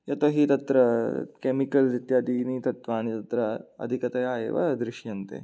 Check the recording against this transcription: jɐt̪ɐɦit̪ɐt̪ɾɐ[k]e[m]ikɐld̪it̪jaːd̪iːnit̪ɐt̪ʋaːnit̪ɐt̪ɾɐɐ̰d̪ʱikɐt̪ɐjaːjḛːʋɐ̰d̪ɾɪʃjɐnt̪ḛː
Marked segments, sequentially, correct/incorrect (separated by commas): correct, correct